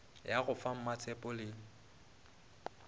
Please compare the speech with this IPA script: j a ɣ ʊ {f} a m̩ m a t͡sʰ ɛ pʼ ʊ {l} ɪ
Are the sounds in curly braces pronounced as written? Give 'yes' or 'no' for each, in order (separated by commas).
yes, yes